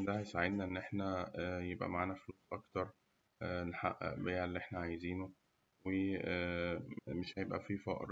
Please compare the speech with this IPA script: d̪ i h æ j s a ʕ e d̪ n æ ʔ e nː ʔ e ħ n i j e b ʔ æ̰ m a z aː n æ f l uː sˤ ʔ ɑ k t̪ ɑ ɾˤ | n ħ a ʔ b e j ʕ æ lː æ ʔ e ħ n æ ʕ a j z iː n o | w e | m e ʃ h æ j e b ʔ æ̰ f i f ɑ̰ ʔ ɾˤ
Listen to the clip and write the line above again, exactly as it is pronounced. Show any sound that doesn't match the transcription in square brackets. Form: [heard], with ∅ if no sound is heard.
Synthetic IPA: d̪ [æ] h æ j s a ʕ e d̪ n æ ʔ e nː ʔ e ħ n [æ] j e b ʔ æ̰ m a [ʕ] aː n æ f l uː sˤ ʔ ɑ k t̪ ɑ ɾˤ | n ħ a ʔ b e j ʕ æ lː [i] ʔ e ħ n æ ʕ a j z iː n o | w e | m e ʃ h æ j e b ʔ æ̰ f i f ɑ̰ ʔ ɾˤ